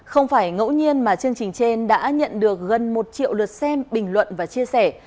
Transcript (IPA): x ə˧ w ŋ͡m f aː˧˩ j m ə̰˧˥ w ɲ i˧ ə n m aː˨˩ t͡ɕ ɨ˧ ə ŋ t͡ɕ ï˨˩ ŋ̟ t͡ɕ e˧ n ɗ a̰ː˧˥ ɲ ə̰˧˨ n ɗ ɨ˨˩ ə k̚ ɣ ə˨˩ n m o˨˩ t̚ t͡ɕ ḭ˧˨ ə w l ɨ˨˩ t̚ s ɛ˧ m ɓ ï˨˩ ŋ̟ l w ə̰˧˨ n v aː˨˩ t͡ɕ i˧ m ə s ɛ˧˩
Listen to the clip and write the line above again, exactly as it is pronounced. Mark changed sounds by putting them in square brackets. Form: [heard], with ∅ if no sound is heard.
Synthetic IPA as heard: x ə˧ w ŋ͡m f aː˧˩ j [ŋ] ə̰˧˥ w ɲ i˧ ə n m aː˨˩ t͡ɕ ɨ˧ ə ŋ t͡ɕ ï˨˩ ŋ̟ t͡ɕ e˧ n ɗ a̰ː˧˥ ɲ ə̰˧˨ n ɗ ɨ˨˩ ə k̚ ɣ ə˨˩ n m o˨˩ t̚ t͡ɕ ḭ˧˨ ə w l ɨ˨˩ t̚ s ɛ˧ m ɓ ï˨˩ ŋ̟ l w ə̰˧˨ n v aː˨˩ t͡ɕ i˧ [∅] ə s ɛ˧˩